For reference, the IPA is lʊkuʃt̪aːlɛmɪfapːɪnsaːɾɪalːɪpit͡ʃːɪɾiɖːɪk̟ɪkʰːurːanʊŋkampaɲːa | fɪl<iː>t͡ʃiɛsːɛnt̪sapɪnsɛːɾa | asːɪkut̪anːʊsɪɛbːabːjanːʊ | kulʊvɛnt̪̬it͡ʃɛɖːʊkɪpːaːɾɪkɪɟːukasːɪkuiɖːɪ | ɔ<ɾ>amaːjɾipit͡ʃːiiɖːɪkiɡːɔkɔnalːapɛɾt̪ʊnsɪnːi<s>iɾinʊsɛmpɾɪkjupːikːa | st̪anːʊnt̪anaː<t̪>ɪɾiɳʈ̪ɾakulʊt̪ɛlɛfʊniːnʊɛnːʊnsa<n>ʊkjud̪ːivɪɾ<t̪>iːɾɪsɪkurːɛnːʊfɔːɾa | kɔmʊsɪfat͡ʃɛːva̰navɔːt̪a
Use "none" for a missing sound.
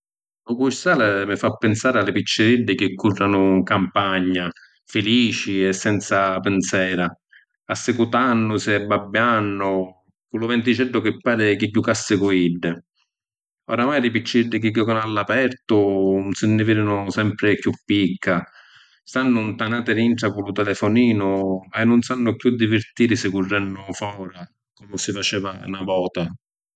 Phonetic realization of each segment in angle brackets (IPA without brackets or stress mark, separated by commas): iː, ɾ, f, t̪, nː, t̪